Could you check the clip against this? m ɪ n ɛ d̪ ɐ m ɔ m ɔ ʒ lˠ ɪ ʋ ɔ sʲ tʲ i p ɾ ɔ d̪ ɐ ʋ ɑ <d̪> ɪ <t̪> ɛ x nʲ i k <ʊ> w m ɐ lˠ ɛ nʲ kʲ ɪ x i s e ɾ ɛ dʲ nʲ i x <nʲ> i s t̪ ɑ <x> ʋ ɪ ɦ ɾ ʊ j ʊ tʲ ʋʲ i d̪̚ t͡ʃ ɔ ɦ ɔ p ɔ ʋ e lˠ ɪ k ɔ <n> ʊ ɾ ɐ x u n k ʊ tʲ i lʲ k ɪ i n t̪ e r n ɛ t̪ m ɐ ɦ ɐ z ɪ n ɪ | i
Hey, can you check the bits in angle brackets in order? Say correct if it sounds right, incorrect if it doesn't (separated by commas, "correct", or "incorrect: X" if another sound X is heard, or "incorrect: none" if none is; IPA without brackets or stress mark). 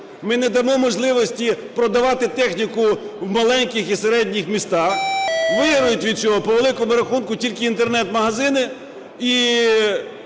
incorrect: t̪, correct, correct, incorrect: mʲ, correct, incorrect: m